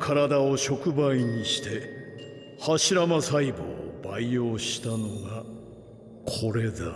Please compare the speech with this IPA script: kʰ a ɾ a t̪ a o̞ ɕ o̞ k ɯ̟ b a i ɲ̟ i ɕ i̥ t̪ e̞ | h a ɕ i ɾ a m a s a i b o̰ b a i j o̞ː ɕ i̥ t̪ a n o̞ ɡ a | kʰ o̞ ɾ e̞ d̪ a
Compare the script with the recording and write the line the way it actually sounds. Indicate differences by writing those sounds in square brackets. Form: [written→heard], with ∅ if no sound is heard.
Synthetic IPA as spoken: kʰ a ɾ a [t̪→d̪] a o̞ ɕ o̞ k ɯ̟ b a i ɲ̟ i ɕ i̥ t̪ e̞ | h a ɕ i ɾ a m a s a i b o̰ b a i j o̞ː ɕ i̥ t̪ a n o̞ ɡ a | kʰ o̞ ɾ e̞ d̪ a